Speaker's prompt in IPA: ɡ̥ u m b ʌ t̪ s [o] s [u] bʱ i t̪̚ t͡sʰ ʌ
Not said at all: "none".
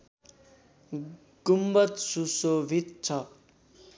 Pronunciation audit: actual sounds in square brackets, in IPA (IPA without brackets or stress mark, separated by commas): u, o